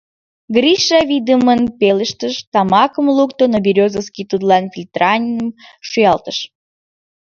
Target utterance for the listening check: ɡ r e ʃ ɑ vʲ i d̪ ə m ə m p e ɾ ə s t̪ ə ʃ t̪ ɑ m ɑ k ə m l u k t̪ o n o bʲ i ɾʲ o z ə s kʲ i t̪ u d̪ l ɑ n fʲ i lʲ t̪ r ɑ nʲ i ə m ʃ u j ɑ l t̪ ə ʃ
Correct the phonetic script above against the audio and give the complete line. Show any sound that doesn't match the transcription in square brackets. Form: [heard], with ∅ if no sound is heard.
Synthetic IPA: ɡ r [i] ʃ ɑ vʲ i d̪ ə m ə [n] p e [l] ə [ʃ] t̪ ə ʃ t̪ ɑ m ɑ k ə m l u k t̪ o n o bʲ i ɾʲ o z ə s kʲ i t̪ u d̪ l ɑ n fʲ i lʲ t̪ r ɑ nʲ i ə m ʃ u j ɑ l t̪ ə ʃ